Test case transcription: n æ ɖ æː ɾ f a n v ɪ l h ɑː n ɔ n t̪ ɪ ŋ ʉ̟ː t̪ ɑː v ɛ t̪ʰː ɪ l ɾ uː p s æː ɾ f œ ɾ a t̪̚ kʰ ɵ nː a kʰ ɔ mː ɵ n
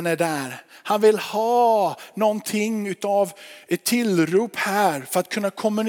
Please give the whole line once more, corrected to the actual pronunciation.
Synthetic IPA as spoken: n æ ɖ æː ɾ h a n v ɪ l h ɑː n ɔ n t̪ʰ ɪ ŋ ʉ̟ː t̪ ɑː v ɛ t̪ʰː ɪ l ɾ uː p h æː ɾ f œ ɾ a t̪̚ kʰ ɵ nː a kʰ ɔ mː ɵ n